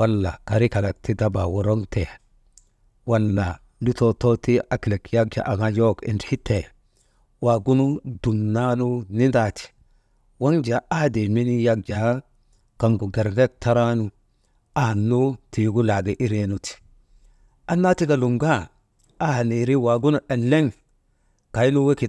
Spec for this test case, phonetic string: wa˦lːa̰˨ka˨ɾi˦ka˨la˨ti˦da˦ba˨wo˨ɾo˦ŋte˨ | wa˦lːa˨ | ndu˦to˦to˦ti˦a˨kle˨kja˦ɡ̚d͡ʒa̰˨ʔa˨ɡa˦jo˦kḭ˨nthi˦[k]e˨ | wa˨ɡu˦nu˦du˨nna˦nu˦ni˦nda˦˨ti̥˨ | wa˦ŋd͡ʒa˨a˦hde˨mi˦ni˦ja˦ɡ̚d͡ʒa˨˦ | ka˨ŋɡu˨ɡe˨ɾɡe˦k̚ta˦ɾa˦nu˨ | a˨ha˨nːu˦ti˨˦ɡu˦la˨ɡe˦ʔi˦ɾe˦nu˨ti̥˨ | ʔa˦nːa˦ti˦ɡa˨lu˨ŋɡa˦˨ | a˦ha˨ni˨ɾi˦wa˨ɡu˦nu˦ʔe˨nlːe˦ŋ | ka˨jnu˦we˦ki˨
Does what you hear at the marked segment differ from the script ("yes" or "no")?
yes